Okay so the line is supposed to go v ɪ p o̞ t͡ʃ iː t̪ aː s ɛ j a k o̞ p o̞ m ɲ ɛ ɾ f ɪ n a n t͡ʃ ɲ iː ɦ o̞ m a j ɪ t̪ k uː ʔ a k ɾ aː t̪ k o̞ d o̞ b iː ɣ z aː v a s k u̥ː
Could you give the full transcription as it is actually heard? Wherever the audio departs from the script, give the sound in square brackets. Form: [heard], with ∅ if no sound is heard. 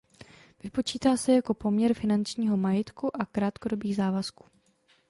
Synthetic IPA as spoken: v ɪ p o̞ t͡ʃ iː t̪ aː s ɛ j a k o̞ p o̞ m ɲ ɛ ɾ f ɪ n a n t͡ʃ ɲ iː ɦ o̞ m a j ɪ t̪ k [u] ʔ a k ɾ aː t̪ k o̞ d o̞ b iː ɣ z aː v a s k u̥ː